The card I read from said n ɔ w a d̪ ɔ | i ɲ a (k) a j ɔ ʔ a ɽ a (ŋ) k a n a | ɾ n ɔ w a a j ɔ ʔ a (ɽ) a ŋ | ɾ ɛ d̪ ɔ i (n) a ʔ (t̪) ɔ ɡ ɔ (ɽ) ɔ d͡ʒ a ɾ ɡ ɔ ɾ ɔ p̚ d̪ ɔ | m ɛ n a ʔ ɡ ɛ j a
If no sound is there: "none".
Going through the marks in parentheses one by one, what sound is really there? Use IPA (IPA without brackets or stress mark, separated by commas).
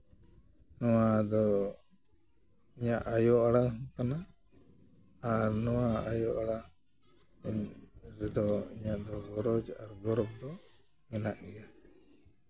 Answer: ʔ, ŋ, ɽ, ɲ, d̪, ɾ